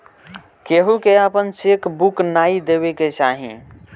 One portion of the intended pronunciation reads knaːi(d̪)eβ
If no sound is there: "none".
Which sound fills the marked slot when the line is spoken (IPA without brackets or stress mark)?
d̪